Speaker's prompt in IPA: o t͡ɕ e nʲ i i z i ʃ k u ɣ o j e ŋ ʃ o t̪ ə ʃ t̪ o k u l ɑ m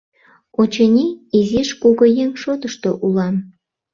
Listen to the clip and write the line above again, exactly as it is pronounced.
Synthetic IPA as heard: o t͡ɕ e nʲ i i z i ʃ k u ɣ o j e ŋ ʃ o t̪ ə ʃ t̪ o ʔ u l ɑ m